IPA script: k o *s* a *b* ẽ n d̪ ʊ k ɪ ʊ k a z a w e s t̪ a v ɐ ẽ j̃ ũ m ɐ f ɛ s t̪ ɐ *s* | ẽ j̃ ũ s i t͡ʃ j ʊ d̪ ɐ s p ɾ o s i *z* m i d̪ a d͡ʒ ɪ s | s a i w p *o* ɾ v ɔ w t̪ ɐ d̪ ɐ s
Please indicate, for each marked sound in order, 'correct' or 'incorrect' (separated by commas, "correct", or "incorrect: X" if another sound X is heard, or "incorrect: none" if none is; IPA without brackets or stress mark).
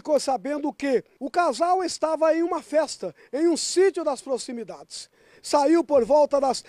correct, correct, incorrect: none, incorrect: none, correct